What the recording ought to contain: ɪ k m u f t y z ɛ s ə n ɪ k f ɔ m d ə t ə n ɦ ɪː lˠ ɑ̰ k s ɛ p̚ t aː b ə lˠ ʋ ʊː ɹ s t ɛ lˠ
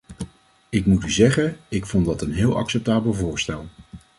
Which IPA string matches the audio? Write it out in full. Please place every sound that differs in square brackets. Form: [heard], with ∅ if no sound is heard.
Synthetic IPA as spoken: ɪ k m u [∅] t y z ɛ [χ] ə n ɪ k f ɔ [n] d [ɑ] t ə n ɦ ɪː lˠ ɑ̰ k s ɛ p̚ t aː b ə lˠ [v] ʊː ɹ s t ɛ lˠ